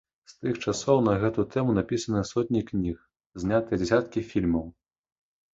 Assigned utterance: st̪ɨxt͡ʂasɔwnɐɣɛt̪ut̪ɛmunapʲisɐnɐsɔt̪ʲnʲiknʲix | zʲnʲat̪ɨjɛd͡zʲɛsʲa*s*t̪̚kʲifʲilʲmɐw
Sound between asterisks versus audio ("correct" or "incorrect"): incorrect